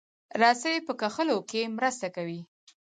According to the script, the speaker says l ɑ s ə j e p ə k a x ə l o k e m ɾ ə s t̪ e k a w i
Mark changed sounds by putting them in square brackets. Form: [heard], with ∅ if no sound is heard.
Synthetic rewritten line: [ɾ] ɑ s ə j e p ə k a x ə l o k e m ɾ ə s t̪ [a] k a w i